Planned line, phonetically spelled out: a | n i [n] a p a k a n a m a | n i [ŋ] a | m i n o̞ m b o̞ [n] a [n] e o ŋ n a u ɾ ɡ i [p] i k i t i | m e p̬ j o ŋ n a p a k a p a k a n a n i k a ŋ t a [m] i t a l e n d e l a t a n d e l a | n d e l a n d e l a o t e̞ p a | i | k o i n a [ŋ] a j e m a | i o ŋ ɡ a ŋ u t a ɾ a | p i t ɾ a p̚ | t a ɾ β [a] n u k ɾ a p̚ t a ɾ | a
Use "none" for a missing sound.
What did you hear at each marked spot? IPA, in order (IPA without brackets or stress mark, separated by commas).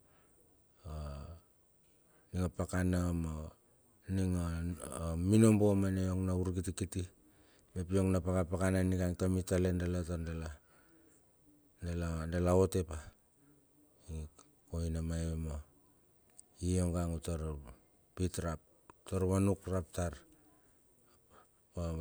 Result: ŋ, ŋ, m, n, t, m, m, a